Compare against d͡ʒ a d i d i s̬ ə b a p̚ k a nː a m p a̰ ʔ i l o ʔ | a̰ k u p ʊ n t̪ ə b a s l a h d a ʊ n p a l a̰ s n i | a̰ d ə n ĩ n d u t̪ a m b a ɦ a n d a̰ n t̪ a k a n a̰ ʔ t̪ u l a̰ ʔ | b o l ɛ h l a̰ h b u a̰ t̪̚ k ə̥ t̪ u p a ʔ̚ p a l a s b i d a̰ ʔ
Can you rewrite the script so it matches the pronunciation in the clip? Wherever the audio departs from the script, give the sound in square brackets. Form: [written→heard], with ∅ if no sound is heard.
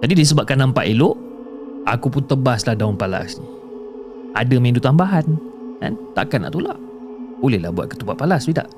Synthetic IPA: d͡ʒ a d i d i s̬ ə b a p̚ k a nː a m p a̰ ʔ i l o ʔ | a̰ k u p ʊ n t̪ ə b a s l a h d a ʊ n p a l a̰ s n i | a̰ d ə [n→m] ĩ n d u t̪ a m b a ɦ a n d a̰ n t̪ a k a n a̰ ʔ t̪ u l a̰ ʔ | b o l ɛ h l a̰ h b u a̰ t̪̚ k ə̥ t̪ u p a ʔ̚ p a l a s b i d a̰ ʔ